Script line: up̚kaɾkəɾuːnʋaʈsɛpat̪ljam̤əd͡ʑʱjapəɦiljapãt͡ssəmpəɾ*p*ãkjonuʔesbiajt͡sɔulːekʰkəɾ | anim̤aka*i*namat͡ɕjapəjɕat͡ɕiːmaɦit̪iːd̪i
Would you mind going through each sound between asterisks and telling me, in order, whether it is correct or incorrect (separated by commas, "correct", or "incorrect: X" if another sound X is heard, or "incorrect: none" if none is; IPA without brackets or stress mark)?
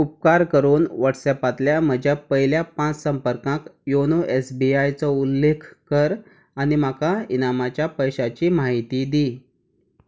incorrect: k, correct